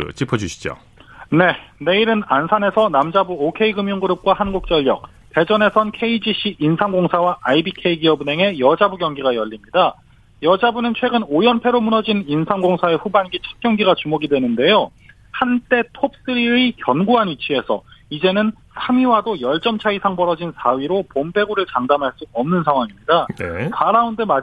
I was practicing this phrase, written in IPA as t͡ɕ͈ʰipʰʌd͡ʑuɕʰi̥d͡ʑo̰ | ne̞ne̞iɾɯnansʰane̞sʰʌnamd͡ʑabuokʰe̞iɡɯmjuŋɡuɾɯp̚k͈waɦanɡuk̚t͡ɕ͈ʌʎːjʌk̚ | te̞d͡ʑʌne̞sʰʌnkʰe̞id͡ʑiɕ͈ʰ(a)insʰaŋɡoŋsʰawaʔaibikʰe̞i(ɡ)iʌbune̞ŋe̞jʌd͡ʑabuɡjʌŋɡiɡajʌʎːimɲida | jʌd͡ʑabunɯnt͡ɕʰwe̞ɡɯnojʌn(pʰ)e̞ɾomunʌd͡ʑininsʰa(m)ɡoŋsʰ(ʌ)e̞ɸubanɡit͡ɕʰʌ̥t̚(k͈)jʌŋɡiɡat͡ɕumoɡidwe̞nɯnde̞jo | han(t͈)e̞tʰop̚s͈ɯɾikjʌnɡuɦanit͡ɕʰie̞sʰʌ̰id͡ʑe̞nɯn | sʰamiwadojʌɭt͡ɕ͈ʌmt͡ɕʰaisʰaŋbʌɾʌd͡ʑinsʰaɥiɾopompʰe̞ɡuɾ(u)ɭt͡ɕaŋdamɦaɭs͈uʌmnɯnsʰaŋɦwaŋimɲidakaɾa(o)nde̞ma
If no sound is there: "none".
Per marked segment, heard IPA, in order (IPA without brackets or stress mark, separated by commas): i, ɡ, pʰ, ŋ, a, k͈, t͈, ɯ, u